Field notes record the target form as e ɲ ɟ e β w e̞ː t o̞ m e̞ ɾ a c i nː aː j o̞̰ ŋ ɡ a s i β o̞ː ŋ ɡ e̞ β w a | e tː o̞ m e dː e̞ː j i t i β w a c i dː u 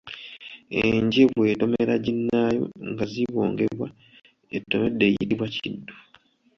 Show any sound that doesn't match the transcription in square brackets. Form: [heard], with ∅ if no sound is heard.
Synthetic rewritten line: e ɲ ɟ e β w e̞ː t o̞ m e̞ ɾ a [ɟ] i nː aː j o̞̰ ŋ ɡ a [z] i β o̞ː ŋ ɡ e̞ β w a | e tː o̞ m e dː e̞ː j i t i β w a c i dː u